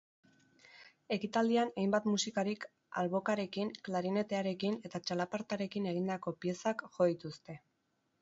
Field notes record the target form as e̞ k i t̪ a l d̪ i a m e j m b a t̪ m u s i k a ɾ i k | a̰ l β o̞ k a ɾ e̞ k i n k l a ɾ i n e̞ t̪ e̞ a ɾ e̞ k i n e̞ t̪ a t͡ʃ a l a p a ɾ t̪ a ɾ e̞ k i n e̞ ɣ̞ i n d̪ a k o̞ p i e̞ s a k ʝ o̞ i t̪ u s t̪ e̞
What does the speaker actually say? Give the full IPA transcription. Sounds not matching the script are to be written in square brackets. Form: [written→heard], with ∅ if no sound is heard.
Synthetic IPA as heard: e̞ k i t̪ a l d̪ i a [m→n] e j m b a t̪ m u s i k a ɾ i k | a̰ l β o̞ k a ɾ e̞ k i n k l a ɾ i n e̞ t̪ e̞ a ɾ e̞ k i n e̞ t̪ a t͡ʃ a l a p a ɾ t̪ a ɾ e̞ k i n e̞ ɣ̞ i n d̪ a k o̞ p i e̞ s a k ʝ o̞ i t̪ u s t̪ e̞